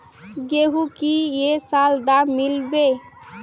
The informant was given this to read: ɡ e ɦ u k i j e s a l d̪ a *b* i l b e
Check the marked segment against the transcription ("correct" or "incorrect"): incorrect